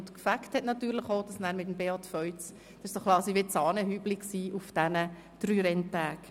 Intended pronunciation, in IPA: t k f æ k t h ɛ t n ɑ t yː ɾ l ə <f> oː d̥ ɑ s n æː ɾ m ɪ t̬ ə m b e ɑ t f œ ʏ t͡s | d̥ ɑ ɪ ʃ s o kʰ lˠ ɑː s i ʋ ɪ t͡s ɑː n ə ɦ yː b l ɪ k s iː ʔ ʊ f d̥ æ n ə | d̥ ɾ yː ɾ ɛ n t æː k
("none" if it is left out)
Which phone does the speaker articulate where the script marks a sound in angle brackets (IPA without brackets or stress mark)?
χ